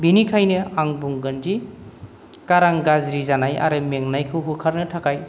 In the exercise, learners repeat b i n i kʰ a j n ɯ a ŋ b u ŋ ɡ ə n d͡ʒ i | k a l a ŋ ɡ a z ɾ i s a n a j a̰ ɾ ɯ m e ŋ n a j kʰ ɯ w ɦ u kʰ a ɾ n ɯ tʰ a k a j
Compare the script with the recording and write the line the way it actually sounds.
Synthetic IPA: b i n i kʰ a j n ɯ a ŋ b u ŋ ɡ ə n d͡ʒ i | k a ɾ a ŋ ɡ a z ɾ i z a n a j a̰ ɾ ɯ m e ŋ n a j kʰ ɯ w ɦ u kʰ a ɾ n ɯ tʰ a k a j